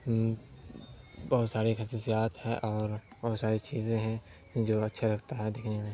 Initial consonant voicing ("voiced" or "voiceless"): voiced